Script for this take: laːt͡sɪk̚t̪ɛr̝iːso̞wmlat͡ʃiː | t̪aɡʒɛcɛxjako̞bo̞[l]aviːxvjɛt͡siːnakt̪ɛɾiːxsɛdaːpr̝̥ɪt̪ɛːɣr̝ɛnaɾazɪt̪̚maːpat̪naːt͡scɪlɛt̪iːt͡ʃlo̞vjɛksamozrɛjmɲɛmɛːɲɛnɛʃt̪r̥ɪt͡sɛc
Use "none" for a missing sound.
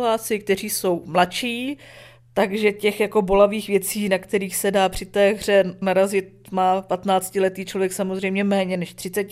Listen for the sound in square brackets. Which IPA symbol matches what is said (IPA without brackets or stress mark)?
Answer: l